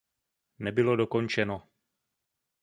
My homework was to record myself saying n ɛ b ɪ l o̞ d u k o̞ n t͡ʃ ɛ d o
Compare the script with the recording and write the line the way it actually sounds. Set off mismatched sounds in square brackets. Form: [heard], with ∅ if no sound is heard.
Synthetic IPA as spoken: n ɛ b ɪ l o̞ d [o] k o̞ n t͡ʃ ɛ [n] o